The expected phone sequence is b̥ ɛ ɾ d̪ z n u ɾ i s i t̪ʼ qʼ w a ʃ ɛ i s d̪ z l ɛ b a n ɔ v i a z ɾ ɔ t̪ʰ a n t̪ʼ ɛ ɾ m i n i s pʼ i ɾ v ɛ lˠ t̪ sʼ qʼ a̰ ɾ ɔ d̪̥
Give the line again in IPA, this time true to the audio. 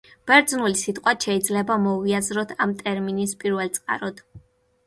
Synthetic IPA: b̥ ɛ ɾ d̪ z n u l i s i t̪ʼ qʼ w a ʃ ɛ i d̪ z l ɛ b a m ɔ v i a z ɾ ɔ t̪ʰ a m t̪ʼ ɛ ɾ m i n i s pʼ i ɾ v ɛ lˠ t̪ sʼ qʼ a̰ ɾ ɔ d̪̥